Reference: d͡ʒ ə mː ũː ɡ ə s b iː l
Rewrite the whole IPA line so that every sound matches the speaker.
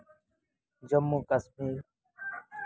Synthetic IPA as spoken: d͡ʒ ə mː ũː k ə s m iː ɾ